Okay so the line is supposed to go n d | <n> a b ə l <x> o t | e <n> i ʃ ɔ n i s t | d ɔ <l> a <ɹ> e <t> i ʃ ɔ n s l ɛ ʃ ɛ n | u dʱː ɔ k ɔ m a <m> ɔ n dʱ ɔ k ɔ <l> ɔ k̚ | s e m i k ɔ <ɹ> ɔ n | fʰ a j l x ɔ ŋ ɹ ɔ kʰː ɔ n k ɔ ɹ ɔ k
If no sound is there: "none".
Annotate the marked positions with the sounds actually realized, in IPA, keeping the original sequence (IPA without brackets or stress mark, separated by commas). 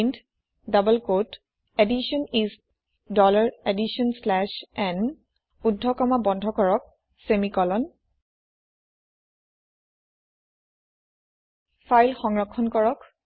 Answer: d, k, d, l, ɹ, d, b, ɹ, l